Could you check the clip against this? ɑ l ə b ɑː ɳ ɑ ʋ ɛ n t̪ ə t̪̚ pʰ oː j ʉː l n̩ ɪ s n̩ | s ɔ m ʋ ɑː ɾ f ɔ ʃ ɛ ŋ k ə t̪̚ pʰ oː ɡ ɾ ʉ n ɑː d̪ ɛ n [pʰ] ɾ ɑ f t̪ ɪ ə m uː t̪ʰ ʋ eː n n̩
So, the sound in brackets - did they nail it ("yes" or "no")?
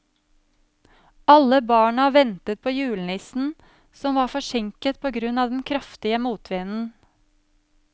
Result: no